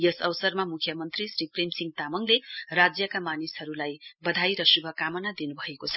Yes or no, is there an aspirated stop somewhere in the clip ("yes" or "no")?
yes